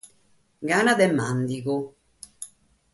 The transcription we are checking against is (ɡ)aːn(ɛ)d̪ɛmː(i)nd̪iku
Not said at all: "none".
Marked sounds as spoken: ɡ, a, a

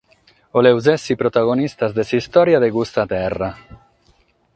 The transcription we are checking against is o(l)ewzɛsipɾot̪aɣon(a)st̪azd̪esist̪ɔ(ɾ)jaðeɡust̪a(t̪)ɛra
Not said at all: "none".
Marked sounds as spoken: l, i, ɾ, t̪

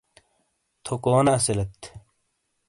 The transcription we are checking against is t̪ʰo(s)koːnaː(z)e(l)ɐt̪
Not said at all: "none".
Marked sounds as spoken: none, s, l

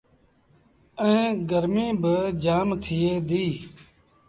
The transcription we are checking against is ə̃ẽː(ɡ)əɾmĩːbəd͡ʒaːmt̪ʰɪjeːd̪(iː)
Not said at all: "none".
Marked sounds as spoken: ɡ, iː

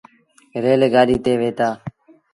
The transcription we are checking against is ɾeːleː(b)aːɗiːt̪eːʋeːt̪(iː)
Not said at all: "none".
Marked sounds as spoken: ɡ, aː

